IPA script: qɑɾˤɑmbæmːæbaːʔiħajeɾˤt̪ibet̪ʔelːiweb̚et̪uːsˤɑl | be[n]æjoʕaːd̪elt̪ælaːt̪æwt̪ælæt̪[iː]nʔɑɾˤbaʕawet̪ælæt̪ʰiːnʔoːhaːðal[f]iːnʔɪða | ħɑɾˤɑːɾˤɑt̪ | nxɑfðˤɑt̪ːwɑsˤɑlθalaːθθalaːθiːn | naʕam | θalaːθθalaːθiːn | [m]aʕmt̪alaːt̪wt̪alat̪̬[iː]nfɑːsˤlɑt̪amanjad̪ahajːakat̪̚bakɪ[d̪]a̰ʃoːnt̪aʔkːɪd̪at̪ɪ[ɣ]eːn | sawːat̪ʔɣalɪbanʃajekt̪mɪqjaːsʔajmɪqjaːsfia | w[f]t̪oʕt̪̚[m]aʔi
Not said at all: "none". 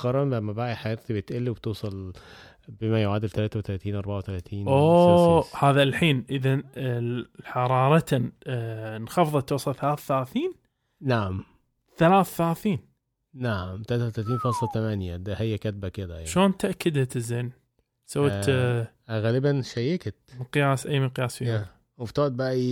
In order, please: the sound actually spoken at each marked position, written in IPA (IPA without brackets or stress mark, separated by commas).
m, iː, ħ, n, iː, d̪, z, f, b